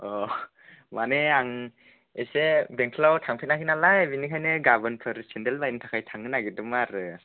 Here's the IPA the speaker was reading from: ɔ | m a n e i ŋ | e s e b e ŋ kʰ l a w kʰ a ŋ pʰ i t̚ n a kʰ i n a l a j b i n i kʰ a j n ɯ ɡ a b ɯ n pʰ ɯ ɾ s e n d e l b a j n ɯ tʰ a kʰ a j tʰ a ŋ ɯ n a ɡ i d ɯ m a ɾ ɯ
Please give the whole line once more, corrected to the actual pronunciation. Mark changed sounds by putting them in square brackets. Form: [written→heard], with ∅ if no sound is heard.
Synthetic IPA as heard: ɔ | m a n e [i→a] ŋ | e s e b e ŋ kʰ l a w [kʰ→tʰ] a ŋ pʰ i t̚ n a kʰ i n a l a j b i n i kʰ a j n ɯ ɡ a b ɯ n pʰ ɯ ɾ s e n d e l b a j n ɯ tʰ a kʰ a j tʰ a ŋ ɯ n a ɡ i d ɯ m a ɾ ɯ